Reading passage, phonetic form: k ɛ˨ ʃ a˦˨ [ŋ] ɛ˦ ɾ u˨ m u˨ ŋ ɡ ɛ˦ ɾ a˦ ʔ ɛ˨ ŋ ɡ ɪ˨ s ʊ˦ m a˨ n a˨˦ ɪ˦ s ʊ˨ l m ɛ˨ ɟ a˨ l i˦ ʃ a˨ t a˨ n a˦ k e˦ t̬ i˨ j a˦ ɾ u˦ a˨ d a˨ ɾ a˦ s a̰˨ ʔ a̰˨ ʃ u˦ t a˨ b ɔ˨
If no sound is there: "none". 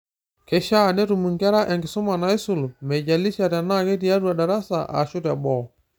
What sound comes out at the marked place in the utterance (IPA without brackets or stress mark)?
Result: n